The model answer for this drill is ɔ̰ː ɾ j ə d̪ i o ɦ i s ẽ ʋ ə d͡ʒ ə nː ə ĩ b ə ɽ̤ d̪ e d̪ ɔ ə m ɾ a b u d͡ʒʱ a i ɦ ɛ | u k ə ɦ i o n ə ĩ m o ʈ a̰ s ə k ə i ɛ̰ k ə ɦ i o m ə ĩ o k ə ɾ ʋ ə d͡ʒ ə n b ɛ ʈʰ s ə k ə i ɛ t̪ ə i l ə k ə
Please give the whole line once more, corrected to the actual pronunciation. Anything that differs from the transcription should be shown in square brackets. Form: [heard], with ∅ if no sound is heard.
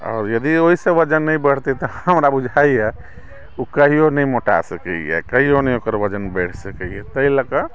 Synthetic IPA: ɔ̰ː ɾ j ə d̪ i o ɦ i s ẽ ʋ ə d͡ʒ ə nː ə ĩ b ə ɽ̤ [t̪] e [t̪] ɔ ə m ɾ a b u d͡ʒʱ a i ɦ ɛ | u k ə ɦ i o n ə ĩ m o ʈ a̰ s ə k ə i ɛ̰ k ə ɦ i o [n] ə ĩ o k ə ɾ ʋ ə d͡ʒ ə n b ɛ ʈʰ s ə k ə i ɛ t̪ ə i l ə k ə